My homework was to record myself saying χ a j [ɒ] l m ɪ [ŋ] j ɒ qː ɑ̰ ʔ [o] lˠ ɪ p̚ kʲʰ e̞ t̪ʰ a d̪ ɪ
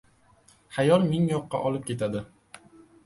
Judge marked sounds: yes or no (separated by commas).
yes, yes, no